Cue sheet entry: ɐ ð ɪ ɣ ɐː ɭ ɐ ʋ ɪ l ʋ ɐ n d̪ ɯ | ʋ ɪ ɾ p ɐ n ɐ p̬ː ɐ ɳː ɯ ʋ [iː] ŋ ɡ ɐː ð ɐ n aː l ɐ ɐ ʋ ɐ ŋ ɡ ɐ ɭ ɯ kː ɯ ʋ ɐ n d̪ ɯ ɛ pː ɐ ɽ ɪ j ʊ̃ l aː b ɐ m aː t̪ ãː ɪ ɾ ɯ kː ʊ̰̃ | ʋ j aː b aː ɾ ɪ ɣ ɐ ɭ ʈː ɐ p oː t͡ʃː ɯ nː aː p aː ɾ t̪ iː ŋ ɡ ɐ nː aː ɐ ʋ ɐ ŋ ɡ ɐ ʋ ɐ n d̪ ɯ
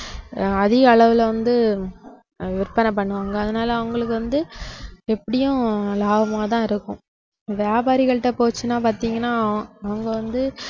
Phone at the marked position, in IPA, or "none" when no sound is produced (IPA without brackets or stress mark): aː